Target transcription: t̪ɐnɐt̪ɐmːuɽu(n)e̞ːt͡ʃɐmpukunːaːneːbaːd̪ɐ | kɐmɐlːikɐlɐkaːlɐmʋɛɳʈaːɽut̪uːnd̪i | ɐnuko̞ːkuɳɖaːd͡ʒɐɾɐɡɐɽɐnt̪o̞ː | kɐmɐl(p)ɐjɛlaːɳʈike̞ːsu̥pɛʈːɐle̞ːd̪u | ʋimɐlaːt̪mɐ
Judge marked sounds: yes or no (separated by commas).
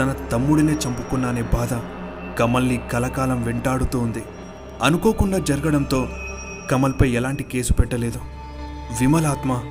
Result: yes, yes